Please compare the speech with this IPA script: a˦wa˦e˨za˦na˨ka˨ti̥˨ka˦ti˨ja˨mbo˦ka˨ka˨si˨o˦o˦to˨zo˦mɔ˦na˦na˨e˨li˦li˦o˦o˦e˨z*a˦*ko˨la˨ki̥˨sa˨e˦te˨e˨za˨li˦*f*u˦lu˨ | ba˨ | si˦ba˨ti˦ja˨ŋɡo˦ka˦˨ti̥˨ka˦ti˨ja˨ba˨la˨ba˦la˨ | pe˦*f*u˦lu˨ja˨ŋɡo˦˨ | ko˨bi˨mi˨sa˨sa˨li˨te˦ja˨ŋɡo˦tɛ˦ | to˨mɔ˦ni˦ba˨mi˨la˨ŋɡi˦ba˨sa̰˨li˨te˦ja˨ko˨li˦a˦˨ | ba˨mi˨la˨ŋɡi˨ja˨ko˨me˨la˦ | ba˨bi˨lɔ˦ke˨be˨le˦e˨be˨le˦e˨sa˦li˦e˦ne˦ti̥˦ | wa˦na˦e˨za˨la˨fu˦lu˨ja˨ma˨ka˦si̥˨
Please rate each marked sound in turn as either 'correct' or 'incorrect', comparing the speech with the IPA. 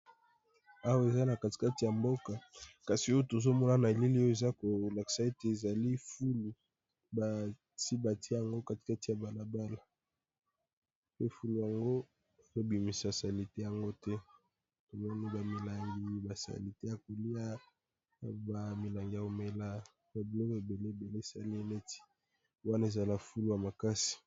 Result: correct, correct, correct

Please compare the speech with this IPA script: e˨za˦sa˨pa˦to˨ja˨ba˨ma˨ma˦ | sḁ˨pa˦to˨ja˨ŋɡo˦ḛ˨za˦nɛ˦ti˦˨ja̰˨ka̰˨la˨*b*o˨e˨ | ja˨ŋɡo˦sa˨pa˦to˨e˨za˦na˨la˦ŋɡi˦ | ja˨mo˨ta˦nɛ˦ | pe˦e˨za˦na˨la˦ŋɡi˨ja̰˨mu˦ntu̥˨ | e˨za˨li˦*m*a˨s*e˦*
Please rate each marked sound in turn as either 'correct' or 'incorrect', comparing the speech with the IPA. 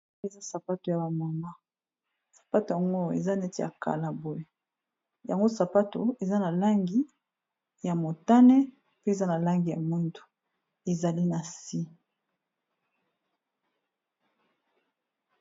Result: correct, incorrect: n, incorrect: i˦

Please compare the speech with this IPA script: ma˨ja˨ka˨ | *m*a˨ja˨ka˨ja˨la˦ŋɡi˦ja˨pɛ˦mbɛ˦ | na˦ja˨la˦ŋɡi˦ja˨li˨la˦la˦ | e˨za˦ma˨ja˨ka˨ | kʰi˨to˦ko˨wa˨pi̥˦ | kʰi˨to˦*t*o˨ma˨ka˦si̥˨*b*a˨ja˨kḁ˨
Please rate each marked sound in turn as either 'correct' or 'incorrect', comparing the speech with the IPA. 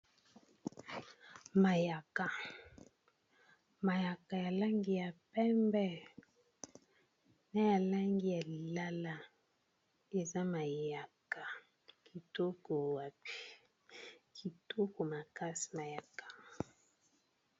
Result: correct, incorrect: k, incorrect: m

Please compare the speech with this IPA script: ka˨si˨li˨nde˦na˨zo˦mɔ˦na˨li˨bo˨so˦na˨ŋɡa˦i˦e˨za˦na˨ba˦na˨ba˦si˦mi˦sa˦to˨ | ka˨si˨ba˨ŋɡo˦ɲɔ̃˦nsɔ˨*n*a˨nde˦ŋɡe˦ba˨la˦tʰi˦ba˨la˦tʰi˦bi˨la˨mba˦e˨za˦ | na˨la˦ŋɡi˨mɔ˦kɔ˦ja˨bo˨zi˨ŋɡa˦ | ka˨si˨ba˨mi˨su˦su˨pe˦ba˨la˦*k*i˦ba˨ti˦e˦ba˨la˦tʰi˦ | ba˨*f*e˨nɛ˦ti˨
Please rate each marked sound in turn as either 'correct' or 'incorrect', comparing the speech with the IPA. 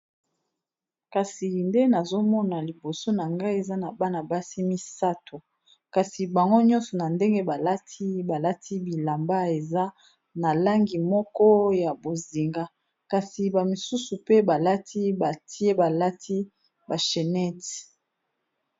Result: correct, incorrect: t, incorrect: ʃ

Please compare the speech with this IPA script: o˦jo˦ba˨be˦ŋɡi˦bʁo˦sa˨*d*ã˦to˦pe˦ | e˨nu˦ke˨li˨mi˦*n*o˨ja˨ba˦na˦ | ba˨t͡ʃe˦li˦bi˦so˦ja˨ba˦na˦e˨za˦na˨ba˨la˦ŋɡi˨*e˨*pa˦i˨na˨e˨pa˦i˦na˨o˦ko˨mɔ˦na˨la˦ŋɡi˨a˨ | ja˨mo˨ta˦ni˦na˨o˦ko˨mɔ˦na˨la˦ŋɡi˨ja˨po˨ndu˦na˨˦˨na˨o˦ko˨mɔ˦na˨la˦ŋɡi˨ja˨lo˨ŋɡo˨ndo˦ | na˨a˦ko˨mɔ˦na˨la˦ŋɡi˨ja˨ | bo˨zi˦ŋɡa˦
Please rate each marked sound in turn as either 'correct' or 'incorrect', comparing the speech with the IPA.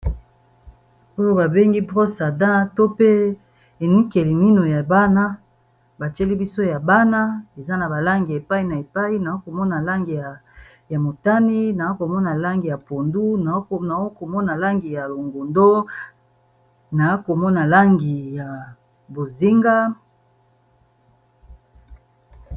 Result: correct, correct, correct

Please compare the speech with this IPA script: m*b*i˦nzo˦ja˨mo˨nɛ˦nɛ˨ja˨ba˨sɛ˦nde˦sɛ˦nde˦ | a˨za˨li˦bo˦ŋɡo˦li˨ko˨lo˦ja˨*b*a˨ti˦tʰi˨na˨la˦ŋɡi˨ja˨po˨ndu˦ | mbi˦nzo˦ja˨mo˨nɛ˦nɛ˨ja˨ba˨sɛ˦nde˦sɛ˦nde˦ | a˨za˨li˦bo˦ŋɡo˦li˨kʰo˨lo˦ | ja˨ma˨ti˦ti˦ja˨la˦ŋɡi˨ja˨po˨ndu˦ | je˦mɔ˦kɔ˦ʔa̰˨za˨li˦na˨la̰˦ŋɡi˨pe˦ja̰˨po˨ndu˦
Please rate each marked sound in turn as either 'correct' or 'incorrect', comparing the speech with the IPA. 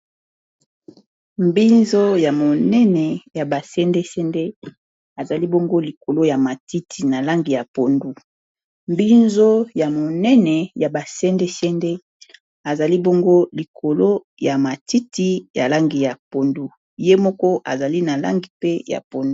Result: correct, incorrect: m

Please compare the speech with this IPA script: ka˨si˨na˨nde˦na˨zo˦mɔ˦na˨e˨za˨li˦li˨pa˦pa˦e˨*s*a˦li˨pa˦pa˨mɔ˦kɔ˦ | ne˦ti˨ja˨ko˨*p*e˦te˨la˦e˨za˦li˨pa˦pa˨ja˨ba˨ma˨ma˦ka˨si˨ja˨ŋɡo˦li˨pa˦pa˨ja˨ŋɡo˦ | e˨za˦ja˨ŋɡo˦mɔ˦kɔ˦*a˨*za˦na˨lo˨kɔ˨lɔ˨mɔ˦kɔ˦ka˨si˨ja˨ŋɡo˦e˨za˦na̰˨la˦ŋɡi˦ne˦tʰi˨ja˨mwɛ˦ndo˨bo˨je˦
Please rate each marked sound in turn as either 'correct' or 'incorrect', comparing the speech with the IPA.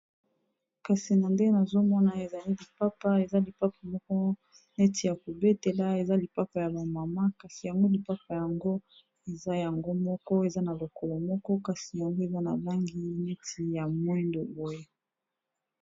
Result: incorrect: z, incorrect: b, incorrect: e˨

